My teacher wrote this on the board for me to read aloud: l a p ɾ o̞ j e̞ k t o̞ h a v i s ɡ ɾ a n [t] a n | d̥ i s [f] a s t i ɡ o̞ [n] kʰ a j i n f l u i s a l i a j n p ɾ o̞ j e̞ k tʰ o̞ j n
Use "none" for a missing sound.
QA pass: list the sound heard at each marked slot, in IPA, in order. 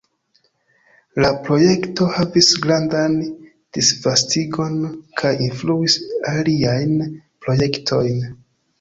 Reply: d, v, n

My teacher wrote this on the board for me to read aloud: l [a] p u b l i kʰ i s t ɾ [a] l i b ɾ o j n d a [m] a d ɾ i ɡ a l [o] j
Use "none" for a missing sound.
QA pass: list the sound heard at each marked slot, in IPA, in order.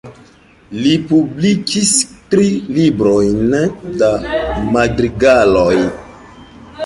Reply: i, i, m, o

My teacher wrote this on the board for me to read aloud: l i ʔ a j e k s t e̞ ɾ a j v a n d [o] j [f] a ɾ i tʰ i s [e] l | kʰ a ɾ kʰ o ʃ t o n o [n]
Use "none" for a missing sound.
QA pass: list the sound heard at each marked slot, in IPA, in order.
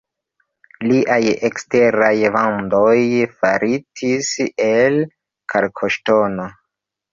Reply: o, f, e, none

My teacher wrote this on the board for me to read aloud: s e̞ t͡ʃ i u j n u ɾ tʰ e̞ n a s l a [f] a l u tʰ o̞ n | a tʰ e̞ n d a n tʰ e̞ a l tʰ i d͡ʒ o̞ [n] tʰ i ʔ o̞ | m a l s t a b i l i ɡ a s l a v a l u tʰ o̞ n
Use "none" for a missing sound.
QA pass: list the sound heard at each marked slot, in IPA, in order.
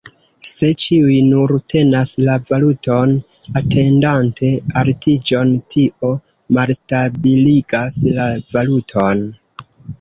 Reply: v, n

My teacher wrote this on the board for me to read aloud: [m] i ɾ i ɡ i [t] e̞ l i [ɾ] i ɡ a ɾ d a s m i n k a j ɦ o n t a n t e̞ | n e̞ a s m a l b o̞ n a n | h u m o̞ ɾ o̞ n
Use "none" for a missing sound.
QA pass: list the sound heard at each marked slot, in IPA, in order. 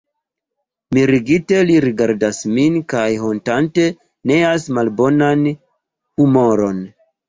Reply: m, t, ɾ

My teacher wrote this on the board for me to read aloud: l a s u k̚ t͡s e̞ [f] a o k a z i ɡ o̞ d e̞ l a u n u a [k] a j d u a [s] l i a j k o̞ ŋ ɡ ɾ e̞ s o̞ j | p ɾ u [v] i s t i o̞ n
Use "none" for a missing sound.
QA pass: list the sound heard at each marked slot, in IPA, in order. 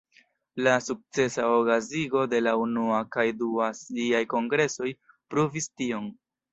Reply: s, k, s, v

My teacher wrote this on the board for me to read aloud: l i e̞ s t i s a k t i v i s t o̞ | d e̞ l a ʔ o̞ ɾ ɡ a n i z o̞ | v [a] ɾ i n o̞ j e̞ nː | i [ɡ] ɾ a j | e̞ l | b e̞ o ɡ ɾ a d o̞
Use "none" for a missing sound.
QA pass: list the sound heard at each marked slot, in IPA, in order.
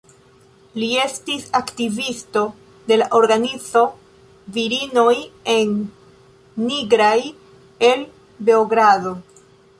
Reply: i, ɡ

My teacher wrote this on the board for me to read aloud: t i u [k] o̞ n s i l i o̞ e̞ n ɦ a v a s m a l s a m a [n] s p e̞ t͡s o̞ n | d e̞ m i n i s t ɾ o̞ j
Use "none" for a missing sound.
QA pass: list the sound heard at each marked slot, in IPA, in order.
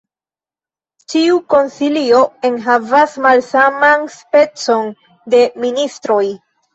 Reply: k, n

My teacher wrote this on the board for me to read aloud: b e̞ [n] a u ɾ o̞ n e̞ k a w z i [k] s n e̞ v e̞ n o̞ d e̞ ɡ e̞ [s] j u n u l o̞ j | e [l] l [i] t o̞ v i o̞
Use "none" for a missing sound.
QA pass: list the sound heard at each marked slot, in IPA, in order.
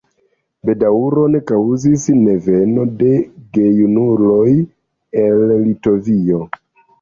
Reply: d, none, none, l, i

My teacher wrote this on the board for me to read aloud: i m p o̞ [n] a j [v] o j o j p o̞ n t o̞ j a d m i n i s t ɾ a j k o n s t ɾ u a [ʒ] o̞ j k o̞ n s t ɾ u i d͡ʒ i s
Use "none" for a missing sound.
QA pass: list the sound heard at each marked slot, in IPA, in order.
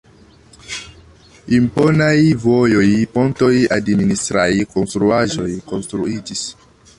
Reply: n, v, ʒ

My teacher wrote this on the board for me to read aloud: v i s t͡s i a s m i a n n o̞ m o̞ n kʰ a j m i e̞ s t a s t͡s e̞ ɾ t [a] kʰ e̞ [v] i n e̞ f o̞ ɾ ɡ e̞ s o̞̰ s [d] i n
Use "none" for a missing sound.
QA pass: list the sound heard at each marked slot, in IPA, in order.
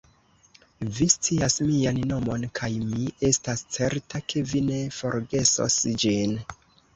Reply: a, v, d͡ʒ

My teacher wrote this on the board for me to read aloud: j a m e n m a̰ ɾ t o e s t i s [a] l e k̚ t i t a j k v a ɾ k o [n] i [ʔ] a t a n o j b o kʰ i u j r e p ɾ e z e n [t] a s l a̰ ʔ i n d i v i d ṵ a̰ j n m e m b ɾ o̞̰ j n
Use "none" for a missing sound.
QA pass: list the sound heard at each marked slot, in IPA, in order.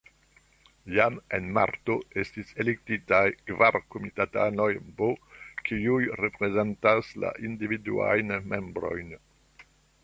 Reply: e, m, t, t

